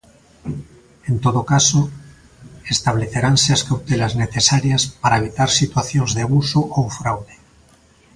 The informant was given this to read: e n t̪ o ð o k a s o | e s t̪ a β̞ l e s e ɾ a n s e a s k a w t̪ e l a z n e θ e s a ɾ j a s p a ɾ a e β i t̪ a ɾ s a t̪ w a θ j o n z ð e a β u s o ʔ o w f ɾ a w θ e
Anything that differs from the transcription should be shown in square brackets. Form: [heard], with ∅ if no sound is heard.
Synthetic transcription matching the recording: e n t̪ o ð o k a s o | e s t̪ a β̞ l e [θ] e ɾ a n s e a s k a w t̪ e l a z n e θ e s a ɾ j a s p a ɾ a e β i t̪ a ɾ s [i] t̪ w a θ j o n z ð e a β u s o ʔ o w f ɾ a w [ð] e